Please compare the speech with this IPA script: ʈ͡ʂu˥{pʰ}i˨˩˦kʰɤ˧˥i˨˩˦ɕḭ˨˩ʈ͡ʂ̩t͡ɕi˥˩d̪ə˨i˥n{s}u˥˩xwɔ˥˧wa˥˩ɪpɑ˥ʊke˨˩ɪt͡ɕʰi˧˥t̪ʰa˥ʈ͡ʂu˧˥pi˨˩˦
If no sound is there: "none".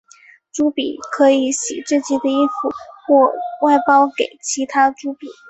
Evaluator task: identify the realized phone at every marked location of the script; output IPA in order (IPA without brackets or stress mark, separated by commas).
p, f